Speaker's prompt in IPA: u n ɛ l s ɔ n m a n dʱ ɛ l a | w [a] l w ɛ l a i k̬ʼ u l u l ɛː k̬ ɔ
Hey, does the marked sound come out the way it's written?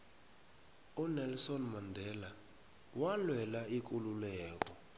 yes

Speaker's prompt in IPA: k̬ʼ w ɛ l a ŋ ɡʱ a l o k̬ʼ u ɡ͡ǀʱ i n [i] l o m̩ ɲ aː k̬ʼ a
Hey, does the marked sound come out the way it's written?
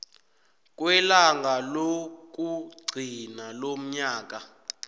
no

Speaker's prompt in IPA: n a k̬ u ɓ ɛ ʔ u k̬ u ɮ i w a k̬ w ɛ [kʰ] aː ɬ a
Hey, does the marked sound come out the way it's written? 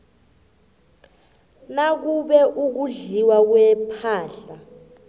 no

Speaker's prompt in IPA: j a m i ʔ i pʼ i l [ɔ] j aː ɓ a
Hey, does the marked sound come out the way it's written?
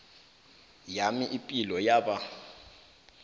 yes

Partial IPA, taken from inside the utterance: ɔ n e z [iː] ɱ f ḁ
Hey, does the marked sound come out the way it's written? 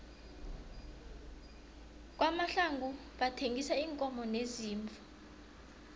yes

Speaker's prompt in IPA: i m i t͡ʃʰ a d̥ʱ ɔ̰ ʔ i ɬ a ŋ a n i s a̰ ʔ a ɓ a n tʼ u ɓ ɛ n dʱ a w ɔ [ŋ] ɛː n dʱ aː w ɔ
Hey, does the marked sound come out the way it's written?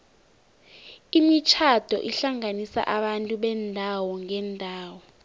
yes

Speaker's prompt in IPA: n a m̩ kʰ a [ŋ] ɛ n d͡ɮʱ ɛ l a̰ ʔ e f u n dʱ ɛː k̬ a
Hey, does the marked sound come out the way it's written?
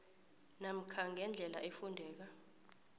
yes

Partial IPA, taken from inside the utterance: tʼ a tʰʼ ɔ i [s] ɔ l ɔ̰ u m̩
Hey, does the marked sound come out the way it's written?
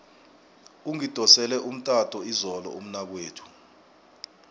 no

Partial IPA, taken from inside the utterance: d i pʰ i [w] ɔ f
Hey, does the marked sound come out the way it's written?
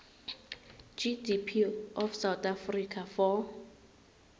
no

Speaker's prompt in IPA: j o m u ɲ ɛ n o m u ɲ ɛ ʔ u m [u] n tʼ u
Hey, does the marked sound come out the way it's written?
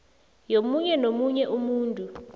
no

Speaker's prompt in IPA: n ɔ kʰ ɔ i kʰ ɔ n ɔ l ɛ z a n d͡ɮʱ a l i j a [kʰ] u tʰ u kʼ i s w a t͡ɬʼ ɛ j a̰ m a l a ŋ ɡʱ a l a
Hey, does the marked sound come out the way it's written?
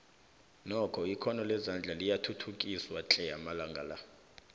no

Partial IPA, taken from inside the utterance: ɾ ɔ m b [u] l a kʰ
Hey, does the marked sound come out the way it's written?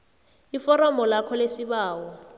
no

